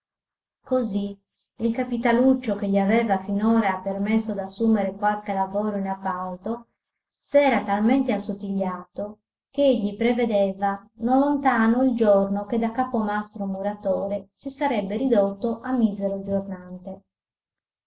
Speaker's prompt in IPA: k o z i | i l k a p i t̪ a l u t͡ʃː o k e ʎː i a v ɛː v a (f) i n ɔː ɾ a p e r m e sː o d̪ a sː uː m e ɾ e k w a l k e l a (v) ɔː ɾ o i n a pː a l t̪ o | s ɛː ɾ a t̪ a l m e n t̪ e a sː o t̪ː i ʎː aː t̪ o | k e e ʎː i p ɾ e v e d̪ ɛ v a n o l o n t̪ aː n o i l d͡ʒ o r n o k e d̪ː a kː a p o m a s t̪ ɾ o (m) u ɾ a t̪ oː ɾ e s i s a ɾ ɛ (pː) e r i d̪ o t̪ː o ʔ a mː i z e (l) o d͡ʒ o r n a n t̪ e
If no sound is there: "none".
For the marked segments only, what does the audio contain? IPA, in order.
f, v, m, bː, ɾ

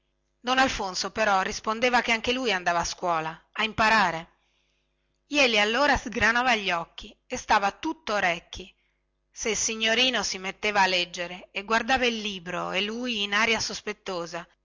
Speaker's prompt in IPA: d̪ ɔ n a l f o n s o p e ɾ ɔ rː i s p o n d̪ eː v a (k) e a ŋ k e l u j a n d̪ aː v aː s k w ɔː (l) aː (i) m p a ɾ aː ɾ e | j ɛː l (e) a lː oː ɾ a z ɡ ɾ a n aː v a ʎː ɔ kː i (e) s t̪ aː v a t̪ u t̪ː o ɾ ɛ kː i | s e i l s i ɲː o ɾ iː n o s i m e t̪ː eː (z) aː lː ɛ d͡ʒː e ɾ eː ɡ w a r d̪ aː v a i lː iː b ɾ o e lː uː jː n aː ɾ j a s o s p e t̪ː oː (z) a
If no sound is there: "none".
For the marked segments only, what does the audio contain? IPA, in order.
k, l, i, i, e, v, z

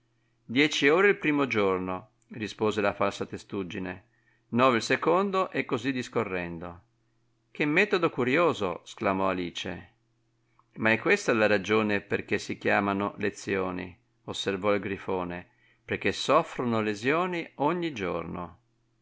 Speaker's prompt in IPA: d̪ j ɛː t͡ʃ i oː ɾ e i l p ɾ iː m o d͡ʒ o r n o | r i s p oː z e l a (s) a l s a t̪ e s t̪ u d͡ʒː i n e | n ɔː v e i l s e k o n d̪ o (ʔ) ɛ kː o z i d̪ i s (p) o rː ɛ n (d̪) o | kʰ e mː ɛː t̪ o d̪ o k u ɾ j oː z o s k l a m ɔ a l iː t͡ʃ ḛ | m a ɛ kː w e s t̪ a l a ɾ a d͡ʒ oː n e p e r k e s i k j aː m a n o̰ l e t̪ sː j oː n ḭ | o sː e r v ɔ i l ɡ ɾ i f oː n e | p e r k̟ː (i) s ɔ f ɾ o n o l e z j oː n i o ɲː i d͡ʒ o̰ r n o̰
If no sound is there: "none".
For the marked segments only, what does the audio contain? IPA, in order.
f, ʔ, k, d̪, e

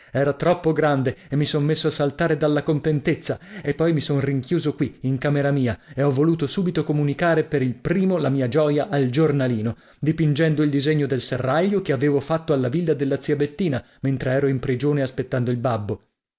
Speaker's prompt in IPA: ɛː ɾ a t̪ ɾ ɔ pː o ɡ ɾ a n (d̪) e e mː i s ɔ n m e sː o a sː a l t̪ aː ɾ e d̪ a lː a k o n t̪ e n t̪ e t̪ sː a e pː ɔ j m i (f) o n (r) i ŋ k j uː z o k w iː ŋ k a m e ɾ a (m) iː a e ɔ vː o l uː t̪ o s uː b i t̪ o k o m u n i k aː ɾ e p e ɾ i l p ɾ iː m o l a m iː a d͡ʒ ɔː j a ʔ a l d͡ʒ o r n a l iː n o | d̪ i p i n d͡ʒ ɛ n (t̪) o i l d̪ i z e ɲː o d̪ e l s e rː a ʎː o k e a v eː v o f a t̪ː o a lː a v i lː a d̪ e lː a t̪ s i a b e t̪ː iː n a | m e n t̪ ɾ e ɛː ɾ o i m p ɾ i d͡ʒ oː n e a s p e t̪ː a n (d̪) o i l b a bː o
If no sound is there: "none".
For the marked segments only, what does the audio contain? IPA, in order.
d̪, s, r, m, d̪, d̪

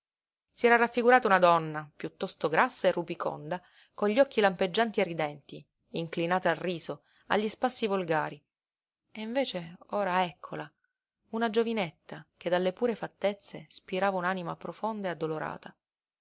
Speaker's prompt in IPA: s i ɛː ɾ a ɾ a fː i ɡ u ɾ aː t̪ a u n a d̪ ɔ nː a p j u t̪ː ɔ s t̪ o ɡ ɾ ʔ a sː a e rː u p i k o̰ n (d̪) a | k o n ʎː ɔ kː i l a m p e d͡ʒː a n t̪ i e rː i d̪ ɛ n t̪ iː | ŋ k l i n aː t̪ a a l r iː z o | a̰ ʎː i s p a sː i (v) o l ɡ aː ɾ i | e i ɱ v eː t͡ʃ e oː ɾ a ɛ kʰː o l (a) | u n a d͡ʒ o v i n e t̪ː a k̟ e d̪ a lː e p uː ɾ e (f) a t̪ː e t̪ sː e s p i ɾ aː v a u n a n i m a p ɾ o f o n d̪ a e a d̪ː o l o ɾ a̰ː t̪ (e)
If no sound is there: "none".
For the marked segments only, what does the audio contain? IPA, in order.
d̪, v, a, f, a

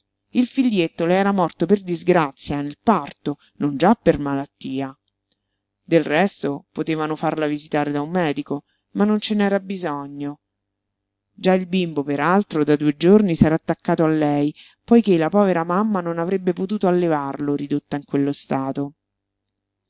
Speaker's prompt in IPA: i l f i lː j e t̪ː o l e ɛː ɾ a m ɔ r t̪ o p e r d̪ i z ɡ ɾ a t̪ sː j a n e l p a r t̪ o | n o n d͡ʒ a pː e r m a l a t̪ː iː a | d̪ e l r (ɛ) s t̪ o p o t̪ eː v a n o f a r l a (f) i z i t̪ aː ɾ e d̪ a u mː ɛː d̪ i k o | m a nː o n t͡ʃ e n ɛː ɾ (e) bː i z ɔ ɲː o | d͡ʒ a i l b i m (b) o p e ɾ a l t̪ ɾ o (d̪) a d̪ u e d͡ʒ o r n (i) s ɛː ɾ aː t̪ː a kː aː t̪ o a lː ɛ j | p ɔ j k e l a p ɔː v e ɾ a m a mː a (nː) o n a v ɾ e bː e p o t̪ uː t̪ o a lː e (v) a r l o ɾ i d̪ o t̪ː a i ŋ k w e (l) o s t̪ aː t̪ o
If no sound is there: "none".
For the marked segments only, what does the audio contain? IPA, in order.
ɛ, v, a, b, d̪, i, n, v, lː

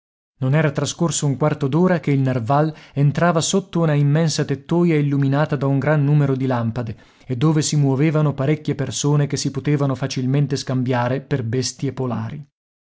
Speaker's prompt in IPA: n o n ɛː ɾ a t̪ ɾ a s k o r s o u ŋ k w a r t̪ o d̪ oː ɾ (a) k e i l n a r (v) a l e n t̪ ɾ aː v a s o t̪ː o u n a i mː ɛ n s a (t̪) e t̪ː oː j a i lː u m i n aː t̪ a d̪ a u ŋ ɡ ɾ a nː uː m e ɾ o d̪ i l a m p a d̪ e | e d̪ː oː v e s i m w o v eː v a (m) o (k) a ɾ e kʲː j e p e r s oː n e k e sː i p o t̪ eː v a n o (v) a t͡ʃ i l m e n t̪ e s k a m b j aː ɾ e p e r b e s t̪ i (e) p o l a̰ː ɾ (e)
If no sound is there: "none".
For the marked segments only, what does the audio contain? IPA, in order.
a, v, t̪, n, p, f, e, i

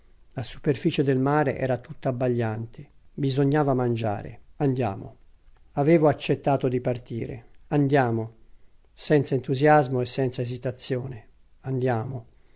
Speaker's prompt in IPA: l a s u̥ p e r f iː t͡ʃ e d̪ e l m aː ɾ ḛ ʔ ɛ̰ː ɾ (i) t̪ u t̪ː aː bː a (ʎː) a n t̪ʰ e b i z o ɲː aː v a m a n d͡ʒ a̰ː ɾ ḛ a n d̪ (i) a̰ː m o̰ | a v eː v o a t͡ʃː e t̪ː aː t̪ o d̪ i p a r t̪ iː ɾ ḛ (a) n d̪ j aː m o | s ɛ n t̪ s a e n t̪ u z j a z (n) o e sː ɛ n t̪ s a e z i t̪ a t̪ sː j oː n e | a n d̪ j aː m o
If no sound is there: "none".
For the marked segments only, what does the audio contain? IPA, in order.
a, ʎː, j, a, m

